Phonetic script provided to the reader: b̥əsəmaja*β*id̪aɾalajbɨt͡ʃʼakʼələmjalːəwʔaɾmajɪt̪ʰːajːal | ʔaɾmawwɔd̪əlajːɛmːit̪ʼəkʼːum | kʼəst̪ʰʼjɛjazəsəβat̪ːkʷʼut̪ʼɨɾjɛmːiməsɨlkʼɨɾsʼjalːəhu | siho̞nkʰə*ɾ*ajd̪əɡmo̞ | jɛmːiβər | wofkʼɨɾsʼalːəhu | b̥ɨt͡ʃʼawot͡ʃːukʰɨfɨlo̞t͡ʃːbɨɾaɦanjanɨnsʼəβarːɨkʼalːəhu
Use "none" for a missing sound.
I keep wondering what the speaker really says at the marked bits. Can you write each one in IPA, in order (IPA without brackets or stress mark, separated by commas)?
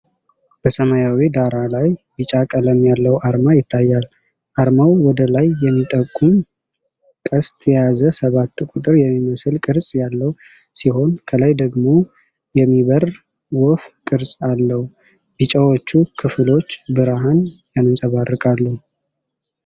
w, l